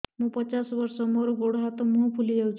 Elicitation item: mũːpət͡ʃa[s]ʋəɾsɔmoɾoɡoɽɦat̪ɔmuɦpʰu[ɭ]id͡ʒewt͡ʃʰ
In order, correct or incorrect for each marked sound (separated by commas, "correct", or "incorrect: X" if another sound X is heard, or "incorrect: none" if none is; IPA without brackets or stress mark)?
correct, incorrect: l